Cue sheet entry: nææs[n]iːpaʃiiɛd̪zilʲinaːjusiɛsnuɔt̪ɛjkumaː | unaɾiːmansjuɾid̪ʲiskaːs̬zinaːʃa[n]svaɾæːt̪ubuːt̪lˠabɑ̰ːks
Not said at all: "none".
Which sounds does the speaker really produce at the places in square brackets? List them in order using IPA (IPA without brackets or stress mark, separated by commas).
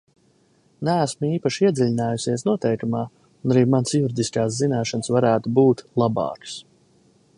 m, n